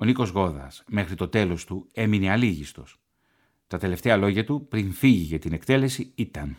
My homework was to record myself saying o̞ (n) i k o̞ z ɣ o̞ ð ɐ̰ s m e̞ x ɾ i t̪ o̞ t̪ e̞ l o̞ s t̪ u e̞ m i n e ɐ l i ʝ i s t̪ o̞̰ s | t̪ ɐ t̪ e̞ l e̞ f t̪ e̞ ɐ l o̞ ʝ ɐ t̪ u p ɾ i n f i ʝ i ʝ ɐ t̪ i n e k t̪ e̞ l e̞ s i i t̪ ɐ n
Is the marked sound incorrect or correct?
correct